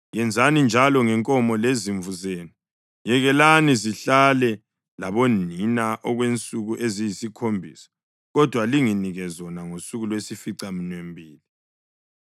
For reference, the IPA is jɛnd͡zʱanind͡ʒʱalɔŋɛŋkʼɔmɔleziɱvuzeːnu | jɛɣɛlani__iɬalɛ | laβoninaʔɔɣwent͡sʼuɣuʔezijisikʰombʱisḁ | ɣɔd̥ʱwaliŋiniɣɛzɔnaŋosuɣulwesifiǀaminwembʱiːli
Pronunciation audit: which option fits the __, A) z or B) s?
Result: A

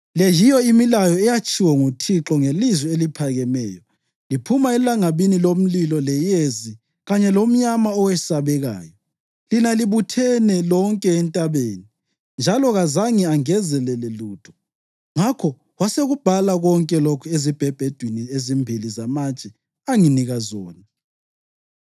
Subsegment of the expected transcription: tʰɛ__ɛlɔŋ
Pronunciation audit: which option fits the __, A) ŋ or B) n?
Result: B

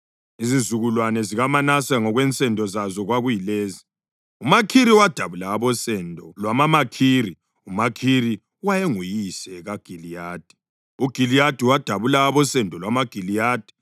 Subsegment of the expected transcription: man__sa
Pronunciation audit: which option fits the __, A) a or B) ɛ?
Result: A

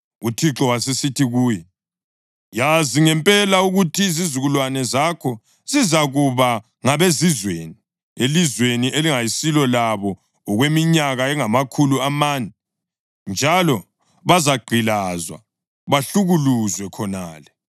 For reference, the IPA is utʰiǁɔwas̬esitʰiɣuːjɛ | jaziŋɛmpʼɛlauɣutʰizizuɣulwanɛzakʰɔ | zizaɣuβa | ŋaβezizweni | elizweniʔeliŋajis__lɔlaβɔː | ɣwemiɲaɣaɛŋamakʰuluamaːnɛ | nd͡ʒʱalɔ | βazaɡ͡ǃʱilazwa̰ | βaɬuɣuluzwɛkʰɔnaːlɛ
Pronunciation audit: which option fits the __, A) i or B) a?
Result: A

